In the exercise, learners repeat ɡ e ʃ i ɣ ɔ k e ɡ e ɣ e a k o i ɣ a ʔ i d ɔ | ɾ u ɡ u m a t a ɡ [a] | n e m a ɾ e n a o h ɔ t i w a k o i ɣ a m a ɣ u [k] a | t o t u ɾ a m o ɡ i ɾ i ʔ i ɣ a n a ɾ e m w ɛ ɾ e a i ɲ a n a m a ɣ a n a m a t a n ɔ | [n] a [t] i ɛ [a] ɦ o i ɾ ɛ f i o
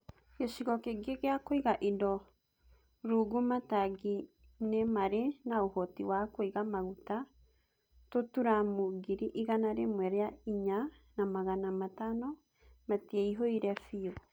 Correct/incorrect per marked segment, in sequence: incorrect: i, incorrect: t, incorrect: m, correct, incorrect: i

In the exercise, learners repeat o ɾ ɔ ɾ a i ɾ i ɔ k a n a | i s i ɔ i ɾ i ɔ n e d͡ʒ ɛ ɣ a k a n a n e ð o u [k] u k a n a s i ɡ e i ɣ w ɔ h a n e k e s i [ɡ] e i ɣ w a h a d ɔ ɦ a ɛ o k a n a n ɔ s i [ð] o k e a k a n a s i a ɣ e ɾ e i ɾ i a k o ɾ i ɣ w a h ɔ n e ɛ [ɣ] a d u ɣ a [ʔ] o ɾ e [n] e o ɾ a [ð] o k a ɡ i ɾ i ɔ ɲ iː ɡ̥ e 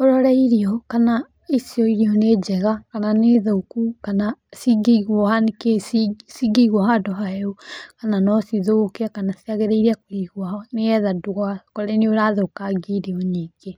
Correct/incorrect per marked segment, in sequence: correct, correct, correct, incorrect: ð, incorrect: k, correct, correct

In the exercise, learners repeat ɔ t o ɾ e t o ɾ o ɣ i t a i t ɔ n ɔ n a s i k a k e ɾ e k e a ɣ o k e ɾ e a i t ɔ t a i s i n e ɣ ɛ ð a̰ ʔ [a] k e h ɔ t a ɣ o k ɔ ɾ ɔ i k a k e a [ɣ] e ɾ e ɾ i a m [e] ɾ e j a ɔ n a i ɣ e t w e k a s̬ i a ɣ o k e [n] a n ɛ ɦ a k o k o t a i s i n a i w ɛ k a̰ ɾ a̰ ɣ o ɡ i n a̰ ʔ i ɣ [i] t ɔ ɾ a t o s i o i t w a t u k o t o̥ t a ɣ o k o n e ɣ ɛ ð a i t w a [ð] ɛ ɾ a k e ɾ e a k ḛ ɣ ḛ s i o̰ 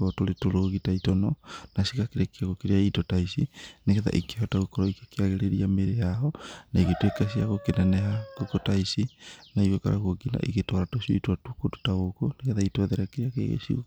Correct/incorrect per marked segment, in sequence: incorrect: i, correct, correct, correct, incorrect: e, correct

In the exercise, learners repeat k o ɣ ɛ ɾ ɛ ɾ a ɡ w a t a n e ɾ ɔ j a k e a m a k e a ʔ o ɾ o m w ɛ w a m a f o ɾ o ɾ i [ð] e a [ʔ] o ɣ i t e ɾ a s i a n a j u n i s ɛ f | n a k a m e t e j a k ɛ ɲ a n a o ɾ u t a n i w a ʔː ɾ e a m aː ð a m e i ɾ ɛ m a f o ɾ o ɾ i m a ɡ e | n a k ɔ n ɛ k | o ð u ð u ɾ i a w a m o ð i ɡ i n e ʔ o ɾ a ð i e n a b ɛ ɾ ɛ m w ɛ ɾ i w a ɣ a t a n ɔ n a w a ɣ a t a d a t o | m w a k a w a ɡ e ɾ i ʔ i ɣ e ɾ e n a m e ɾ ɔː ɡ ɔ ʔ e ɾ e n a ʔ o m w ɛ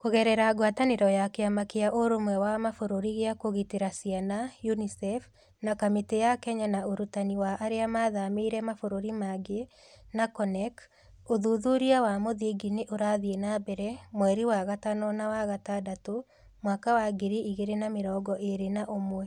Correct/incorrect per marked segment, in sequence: incorrect: ɣ, incorrect: k

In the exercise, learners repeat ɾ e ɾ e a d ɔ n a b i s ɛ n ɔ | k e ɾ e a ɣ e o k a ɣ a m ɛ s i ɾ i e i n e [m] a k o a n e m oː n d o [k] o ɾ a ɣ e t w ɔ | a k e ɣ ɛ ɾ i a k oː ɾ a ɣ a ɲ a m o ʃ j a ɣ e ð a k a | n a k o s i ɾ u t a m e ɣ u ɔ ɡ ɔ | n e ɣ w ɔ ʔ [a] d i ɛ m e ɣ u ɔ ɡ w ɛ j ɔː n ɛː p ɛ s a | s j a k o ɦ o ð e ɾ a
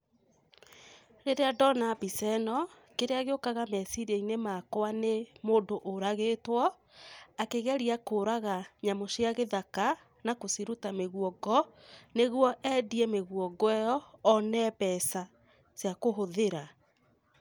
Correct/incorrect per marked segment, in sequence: correct, incorrect: ʔ, incorrect: ɛ

